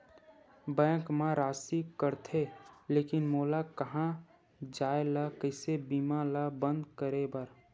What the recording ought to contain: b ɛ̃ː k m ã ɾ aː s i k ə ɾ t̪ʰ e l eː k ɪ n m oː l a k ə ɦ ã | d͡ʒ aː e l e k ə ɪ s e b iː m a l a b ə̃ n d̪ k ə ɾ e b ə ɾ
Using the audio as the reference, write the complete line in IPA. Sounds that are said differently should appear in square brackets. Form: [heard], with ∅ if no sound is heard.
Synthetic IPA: b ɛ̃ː k m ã ɾ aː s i k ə ɾ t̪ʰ e l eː k ɪ n m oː l a k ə ɦ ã | d͡ʒ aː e l [a] k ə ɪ s e b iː m a l a b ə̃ n d̪ k ə ɾ e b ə ɾ